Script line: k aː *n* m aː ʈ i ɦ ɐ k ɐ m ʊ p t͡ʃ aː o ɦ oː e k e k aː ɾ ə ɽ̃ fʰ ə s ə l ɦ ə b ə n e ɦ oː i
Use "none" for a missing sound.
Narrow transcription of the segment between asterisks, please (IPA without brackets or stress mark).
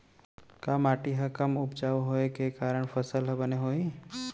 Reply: none